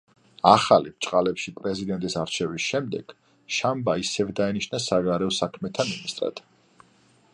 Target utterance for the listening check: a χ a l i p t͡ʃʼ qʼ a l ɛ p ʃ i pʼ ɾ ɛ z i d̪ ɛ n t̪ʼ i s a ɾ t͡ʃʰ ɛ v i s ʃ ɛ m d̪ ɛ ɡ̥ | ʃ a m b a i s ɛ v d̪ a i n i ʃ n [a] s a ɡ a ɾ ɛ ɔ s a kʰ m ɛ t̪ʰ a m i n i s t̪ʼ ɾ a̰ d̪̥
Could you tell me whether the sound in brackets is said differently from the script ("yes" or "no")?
no